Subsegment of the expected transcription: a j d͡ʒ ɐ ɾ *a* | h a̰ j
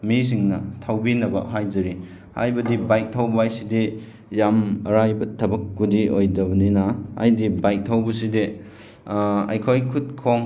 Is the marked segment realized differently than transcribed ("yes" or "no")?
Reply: yes